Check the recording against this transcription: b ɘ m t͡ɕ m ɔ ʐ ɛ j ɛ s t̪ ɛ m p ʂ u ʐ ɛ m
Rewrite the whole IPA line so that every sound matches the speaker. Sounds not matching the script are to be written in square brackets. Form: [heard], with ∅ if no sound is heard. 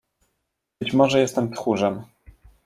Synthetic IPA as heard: b ɘ [∅] t͡ɕ m ɔ ʐ ɛ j ɛ s t̪ ɛ m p [x] u ʐ ɛ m